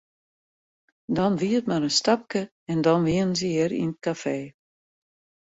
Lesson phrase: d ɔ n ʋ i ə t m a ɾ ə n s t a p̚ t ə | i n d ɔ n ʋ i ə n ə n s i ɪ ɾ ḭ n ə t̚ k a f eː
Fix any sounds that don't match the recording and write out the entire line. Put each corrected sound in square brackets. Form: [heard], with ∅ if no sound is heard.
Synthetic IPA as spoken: d ɔ n ʋ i ə t m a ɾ ə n s t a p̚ [k] ə | [ɛ] n d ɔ n ʋ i ə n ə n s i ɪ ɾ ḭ n ə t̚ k a f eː

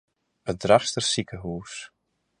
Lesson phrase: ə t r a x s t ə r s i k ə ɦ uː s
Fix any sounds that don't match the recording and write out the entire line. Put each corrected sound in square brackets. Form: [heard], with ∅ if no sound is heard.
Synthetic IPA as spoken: ə [d] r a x s t ə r s i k ə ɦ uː s

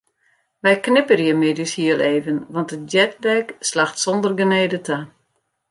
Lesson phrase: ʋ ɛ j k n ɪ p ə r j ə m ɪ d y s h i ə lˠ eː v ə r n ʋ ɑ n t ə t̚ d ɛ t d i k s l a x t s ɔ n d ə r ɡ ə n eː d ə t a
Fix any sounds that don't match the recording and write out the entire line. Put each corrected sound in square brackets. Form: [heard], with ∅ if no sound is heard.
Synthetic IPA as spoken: ʋ ɛ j k n ɪ p ə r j ə m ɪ d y s h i ə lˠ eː v ə [∅] n ʋ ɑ n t ə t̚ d ɛ t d [ɛ] k s l a x t s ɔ n d ə r ɡ ə n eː d ə t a

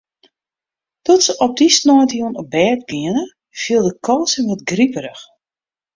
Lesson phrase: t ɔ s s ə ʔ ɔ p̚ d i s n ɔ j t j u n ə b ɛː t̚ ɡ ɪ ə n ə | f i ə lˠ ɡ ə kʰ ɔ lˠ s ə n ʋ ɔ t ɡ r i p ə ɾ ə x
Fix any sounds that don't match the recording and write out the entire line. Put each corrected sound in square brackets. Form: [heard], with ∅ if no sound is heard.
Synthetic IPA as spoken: t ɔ [t] s ə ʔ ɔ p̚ d i s n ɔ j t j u n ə b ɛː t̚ ɡ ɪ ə n ə | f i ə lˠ [d] ə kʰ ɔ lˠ s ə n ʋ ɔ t ɡ r i p ə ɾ ə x

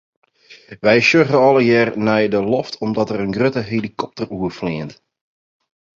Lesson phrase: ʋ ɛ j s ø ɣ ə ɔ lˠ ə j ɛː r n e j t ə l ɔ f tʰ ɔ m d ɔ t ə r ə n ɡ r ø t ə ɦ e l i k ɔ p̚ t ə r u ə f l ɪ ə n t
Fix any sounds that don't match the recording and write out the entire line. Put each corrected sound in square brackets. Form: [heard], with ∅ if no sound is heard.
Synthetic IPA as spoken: ʋ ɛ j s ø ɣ ə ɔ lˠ ə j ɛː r n [ɛ] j [d] ə l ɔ f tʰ ɔ m d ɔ t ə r ə n ɡ r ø t ə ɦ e l i k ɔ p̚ t ə r u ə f l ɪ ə n t

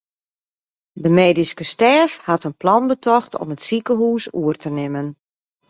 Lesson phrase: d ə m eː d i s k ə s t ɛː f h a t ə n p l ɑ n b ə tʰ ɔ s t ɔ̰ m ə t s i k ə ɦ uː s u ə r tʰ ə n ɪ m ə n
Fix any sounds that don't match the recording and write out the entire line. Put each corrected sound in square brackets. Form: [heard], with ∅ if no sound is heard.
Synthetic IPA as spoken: d ə m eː d i s k ə s t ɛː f h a t ə n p l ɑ n b ə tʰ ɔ [x] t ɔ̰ m ə t s i k ə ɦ uː s u ə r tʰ ə n ɪ m ə n

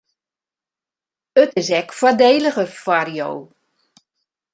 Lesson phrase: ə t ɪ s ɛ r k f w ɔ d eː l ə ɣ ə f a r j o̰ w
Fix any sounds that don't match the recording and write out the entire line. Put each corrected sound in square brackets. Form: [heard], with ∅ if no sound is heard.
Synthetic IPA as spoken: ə t ɪ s ɛ [∅] k f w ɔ d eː l ə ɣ ə f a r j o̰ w

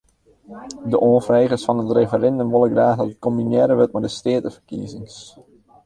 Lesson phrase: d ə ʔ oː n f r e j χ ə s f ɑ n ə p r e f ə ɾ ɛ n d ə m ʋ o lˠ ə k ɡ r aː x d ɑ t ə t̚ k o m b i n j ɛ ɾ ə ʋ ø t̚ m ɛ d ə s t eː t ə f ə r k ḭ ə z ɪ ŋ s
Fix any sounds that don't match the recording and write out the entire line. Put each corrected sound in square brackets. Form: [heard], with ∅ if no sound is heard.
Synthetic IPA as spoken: d ə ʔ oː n f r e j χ ə s f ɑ n ə [t] r e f ə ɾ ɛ n d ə m ʋ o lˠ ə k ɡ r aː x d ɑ t ə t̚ k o m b i n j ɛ ɾ ə ʋ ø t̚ m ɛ d ə s t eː t ə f ə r k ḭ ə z ɪ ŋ s

